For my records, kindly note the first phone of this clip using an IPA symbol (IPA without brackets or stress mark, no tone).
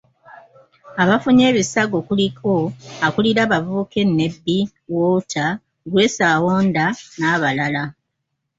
a